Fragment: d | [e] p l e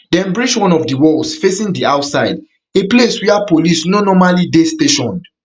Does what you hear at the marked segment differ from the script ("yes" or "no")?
no